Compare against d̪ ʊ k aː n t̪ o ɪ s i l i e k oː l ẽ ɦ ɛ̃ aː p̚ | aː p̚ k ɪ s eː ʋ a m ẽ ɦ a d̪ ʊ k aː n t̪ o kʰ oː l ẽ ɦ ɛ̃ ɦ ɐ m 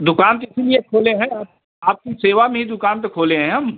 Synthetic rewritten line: d̪ ʊ k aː n t̪ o ɪ s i l i e kʰ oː l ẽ ɦ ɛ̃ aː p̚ | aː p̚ k i s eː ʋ a m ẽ ɦ i d̪ ʊ k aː n t̪ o kʰ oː l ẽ ɦ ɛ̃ ɦ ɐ m